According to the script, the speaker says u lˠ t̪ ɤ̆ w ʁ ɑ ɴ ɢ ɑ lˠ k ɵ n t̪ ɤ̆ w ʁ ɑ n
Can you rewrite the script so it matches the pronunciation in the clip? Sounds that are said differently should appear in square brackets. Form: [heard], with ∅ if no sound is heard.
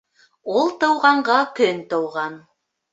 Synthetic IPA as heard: u lˠ t̪ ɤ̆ w ʁ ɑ ɴ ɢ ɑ [∅] k ɵ n t̪ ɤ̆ w ʁ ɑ n